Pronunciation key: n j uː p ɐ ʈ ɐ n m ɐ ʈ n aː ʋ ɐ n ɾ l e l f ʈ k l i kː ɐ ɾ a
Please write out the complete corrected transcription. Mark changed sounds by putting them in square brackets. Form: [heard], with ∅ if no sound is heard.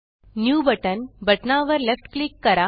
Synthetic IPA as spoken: n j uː [b] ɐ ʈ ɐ n [b] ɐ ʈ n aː ʋ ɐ [∅] ɾ l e [∅] f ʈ k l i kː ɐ ɾ a